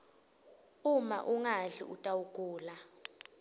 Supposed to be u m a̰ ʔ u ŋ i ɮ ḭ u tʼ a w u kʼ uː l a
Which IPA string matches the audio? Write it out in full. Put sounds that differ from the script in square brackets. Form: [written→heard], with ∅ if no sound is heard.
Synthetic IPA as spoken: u m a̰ ʔ u ŋ [i→a] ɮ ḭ u tʼ a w u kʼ uː l a